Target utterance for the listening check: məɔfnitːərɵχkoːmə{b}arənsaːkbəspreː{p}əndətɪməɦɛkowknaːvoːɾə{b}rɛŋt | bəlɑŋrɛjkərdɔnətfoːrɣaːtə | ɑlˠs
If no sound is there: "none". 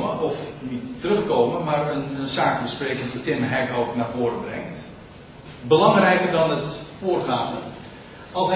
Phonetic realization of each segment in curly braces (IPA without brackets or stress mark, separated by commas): m, k, b